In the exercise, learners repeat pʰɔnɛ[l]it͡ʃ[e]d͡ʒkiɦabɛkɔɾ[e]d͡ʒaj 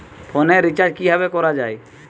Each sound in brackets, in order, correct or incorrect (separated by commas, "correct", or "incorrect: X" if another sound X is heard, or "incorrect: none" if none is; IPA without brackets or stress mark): incorrect: ɾ, incorrect: a, incorrect: a